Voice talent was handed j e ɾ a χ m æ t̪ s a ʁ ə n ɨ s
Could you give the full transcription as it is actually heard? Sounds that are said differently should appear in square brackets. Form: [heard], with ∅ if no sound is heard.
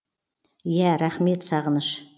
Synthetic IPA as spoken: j [æ] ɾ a χ m [e] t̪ s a ʁ ə n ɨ [ʃ]